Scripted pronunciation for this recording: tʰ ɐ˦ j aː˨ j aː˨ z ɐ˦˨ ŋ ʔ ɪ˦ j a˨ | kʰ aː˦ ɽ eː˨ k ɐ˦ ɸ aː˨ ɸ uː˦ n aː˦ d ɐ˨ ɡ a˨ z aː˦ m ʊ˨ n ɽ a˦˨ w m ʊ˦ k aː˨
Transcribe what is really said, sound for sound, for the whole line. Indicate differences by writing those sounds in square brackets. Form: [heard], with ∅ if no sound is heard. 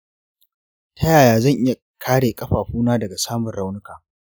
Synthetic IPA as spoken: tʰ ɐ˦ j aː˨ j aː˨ z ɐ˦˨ ŋ ʔ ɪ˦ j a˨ | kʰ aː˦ ɽ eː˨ [kʼ] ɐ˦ ɸ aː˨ ɸ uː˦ n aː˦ d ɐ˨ ɡ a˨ [s] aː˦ m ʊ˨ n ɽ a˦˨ w [n] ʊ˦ k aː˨